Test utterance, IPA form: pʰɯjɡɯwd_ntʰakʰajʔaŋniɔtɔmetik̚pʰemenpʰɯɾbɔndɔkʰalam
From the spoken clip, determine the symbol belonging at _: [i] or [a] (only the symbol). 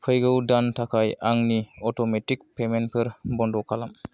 a